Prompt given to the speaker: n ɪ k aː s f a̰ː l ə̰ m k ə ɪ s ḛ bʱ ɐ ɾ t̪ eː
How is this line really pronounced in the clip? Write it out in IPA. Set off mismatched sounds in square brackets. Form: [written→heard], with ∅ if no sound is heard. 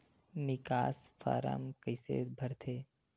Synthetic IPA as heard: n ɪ k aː s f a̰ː [l→ɾ] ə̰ m k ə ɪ s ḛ bʱ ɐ ɾ [t̪→t̪ʰ] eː